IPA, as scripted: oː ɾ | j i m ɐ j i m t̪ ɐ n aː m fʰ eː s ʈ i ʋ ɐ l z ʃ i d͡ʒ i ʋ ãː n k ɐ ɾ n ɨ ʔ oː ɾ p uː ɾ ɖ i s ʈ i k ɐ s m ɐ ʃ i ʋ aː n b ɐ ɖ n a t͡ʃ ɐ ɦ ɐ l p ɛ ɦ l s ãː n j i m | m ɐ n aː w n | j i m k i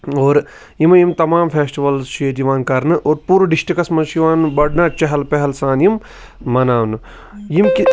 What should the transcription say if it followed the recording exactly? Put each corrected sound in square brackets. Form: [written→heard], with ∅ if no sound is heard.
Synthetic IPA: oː ɾ | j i m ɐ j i m t̪ ɐ [n→m] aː m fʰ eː s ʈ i ʋ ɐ l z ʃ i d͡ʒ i ʋ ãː n k ɐ ɾ n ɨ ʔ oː ɾ p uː ɾ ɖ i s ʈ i k ɐ s m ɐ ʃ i ʋ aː n b ɐ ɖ n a t͡ʃ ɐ ɦ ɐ l p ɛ ɦ l s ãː n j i m | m ɐ n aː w n | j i m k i